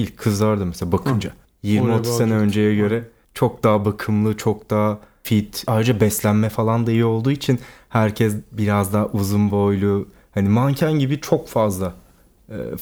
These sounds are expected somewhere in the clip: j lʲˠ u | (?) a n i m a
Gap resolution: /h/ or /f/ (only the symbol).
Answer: h